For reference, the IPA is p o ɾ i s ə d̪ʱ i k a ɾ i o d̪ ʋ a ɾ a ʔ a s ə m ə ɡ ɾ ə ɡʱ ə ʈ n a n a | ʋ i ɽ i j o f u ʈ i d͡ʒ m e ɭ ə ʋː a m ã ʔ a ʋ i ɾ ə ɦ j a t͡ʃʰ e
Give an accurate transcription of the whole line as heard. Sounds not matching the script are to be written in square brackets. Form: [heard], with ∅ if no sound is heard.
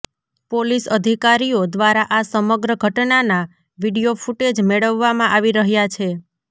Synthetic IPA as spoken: p o [l] i s ə d̪ʱ i k a ɾ i o d̪ ʋ a ɾ a ʔ a s ə m ə ɡ ɾ ə ɡʱ ə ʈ n a n a | ʋ i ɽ i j o f u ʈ [e] d͡ʒ m e ɭ ə ʋː a m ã ʔ a ʋ i ɾ ə ɦ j a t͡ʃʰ e